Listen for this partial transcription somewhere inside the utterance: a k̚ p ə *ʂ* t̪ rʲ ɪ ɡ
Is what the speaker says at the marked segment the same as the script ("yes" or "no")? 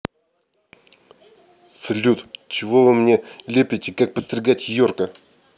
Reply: no